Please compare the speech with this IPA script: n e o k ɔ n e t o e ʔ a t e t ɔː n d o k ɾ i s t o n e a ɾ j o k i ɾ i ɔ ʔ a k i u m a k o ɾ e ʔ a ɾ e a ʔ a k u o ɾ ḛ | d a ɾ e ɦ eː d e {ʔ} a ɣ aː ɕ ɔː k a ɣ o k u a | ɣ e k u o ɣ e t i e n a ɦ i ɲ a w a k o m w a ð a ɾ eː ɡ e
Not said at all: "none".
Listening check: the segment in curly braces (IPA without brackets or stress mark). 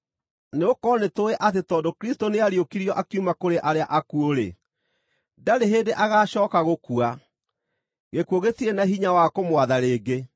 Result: ʔ